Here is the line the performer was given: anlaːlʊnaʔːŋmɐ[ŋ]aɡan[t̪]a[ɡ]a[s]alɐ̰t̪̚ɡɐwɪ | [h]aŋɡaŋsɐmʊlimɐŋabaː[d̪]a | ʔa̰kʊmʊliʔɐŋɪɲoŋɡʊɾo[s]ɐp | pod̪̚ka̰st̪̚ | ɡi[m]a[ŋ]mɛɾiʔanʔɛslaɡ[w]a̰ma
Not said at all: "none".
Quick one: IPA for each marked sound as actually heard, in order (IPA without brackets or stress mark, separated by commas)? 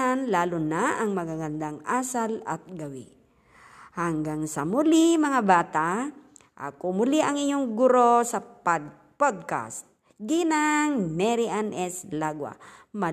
ɡ, d̪, ŋ, s, h, t̪, s, n, ŋ, w